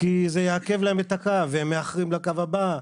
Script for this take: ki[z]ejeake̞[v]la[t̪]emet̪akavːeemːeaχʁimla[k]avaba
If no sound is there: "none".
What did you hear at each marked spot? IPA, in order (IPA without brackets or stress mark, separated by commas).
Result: z, v, none, k